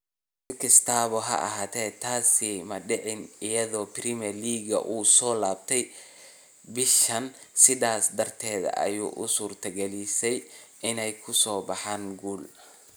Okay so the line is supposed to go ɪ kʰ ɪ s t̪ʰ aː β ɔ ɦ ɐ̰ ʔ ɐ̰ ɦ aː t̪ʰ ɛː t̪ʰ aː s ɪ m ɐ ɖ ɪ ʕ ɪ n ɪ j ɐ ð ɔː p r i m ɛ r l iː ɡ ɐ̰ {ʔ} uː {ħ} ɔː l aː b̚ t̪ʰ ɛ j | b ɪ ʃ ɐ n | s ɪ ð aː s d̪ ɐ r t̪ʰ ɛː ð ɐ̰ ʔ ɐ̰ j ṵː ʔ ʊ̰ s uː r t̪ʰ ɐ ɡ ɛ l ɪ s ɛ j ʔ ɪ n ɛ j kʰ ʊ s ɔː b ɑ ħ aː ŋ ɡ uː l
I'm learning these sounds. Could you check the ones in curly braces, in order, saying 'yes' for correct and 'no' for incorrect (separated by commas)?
yes, no